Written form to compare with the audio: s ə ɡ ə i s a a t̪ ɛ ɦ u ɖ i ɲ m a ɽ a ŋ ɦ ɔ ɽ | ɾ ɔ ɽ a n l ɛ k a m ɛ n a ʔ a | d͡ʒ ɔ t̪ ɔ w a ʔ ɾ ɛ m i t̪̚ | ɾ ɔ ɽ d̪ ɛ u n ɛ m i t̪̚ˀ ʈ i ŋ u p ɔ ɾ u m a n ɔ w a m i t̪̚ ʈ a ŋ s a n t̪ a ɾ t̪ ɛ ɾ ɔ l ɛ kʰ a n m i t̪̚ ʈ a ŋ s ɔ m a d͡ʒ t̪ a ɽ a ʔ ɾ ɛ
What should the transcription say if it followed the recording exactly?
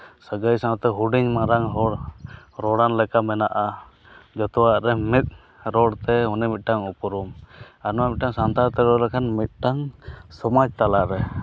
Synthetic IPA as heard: s ə ɡ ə j s a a t̪ ɛ ɦ u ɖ i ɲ m a ɾ a ŋ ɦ ɔ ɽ | ɾ ɔ ɽ a n l ɛ k a m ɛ n a ʔ a | d͡ʒ ɔ t̪ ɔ w a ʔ ɾ ɛ m i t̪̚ | ɾ ɔ ɽ t̪ ɛ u n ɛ m i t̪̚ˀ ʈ a ŋ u p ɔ ɾ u m a n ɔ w a m i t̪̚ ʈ a ŋ s a n t̪ a ɾ t̪ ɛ ɾ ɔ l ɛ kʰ a n m i t̪̚ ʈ a ŋ s ɔ m a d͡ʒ t̪ a l a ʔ ɾ ɛ

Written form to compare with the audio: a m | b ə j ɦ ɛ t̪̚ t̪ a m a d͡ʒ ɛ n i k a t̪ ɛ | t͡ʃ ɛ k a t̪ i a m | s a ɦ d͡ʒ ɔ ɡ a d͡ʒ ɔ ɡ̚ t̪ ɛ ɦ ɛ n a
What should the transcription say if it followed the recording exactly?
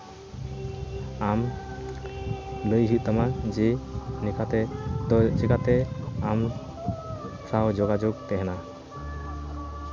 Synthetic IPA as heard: a m | b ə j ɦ i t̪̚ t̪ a m a d͡ʒ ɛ n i k a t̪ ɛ | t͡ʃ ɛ k a t̪ ɛ a m | s a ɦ d͡ʒ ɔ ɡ a d͡ʒ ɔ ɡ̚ t̪ ɛ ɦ ɛ n a

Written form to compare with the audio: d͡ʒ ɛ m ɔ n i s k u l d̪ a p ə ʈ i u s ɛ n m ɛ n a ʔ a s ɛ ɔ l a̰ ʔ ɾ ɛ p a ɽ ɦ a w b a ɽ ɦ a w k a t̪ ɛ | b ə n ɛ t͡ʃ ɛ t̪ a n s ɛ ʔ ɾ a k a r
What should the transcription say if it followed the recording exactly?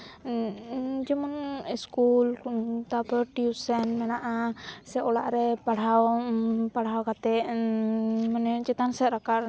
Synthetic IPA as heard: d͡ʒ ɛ m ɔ n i s k u l t̪ a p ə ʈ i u s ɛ n m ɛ n a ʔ a s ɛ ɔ l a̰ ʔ ɾ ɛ p a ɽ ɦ a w p a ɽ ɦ a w k a t̪ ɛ | m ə n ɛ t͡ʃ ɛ t̪ a n s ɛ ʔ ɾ a k a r

